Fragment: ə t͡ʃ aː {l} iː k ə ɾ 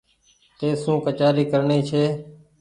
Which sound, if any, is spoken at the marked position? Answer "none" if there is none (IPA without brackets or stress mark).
ɾ